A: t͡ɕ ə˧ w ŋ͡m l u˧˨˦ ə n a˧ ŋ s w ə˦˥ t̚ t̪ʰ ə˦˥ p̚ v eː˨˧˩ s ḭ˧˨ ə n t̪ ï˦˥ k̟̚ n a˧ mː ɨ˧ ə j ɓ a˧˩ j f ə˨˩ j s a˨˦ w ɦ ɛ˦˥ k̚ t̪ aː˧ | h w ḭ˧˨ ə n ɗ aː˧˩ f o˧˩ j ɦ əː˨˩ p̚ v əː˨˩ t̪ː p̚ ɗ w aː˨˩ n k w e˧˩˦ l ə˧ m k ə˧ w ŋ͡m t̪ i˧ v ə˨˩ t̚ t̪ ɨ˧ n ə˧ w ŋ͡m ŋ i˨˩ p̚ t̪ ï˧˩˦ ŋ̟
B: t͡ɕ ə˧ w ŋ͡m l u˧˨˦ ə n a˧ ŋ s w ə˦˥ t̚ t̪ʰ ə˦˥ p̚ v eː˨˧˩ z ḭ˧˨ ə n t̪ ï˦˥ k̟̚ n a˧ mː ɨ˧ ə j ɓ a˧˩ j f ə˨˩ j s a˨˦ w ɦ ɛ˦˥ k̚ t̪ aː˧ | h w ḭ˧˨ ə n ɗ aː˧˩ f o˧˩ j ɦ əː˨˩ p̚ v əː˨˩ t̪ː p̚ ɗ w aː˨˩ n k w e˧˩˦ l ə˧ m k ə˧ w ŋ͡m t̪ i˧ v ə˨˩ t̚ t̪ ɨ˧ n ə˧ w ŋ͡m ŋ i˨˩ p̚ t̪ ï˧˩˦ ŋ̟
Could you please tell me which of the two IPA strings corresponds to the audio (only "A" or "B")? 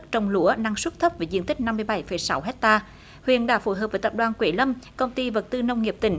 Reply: B